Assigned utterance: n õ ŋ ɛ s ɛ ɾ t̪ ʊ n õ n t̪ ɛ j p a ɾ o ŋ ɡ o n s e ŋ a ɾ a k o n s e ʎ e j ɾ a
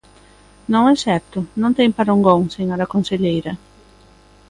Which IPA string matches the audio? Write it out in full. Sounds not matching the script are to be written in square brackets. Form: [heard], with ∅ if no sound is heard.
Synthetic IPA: n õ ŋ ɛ s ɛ ɾ t̪ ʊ n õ n t̪ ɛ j p a ɾ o ŋ ɡ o [ŋ] s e ŋ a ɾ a k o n s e ʎ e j ɾ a